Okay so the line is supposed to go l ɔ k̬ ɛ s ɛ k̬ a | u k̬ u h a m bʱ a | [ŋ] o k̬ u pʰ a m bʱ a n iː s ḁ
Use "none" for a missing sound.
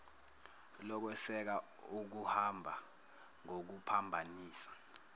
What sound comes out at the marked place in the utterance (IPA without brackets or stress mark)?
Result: ŋ